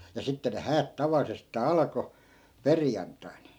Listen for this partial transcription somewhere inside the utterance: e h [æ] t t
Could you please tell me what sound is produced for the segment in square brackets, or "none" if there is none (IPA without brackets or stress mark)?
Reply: æː